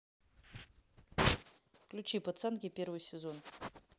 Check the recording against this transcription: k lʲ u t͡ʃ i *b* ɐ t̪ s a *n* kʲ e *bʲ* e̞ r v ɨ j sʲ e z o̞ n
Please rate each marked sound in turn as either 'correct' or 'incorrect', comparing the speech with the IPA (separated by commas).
incorrect, correct, incorrect